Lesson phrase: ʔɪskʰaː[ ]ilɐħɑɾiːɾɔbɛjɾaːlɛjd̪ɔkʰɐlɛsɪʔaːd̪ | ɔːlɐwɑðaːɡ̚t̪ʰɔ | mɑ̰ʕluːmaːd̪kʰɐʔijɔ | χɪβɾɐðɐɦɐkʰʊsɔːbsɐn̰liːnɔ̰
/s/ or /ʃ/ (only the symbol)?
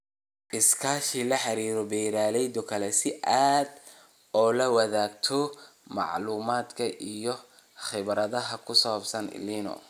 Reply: ʃ